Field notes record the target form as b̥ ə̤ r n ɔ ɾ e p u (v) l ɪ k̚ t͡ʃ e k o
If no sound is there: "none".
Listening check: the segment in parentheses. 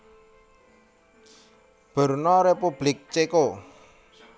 b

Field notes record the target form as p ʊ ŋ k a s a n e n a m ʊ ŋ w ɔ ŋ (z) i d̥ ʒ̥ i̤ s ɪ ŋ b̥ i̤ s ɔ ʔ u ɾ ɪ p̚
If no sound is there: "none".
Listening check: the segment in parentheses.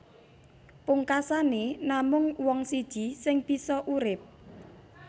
s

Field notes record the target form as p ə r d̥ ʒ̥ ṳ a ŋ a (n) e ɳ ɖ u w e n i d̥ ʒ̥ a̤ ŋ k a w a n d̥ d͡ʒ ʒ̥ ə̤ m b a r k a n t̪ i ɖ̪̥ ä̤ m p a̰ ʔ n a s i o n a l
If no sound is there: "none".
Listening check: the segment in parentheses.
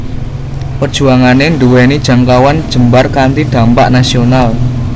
n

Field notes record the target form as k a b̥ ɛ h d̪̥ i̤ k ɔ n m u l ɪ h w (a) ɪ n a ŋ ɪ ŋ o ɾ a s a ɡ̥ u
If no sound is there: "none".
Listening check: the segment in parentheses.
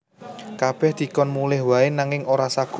a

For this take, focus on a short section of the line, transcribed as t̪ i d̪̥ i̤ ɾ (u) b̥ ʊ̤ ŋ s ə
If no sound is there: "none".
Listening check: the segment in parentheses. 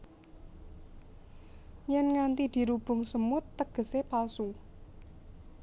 u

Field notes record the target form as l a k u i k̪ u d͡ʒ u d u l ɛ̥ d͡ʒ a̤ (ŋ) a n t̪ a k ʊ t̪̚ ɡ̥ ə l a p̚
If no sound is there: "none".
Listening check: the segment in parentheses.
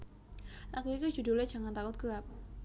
ŋ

